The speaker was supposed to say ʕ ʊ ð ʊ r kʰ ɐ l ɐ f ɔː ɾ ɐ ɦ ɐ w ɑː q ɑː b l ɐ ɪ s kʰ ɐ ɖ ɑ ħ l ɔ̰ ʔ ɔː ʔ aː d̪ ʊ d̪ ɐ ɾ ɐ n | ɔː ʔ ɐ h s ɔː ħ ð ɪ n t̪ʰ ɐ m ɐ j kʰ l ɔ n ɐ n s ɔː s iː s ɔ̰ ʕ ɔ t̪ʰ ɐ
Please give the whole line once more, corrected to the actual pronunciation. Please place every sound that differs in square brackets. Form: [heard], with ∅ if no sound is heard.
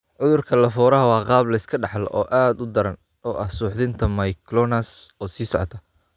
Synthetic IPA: ʕ ʊ ð ʊ r kʰ ɐ l ɐ f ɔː ɾ ɐ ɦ ɐ w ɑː q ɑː b l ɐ ɪ s kʰ ɐ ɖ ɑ ħ l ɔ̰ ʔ ɔː ʔ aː d̪ ʊ d̪ ɐ ɾ ɐ n | ɔː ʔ ɐ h s [uː] ħ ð ɪ n t̪ʰ ɐ m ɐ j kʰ l ɔ n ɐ [∅] s ɔː s iː s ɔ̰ ʕ ɔ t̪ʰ ɐ